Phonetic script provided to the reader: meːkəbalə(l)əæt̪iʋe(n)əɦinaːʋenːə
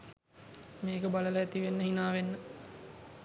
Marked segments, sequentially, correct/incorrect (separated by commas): correct, incorrect